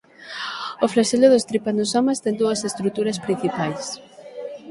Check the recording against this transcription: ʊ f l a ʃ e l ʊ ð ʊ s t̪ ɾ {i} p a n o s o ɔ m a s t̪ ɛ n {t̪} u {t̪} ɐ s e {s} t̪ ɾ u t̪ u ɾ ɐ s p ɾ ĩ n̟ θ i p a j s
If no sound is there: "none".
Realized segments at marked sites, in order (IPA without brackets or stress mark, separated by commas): i, d̪, none, s